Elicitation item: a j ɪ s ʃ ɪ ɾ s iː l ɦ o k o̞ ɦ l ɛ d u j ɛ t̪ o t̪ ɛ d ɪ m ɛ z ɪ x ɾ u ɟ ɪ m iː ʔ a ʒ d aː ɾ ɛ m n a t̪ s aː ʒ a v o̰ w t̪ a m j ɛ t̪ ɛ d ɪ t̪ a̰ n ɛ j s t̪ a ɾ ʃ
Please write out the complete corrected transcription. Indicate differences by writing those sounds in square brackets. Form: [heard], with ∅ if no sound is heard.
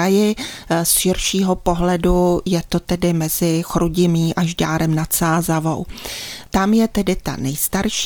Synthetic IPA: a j ɪ s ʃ ɪ ɾ [ʃ] iː [∅] ɦ o [p] o̞ ɦ l ɛ d u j ɛ t̪ o t̪ ɛ d ɪ m ɛ z ɪ x ɾ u ɟ ɪ m iː ʔ a ʒ d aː ɾ ɛ m n a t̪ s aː [z] a v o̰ w t̪ a m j ɛ t̪ ɛ d ɪ t̪ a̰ n ɛ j s t̪ a ɾ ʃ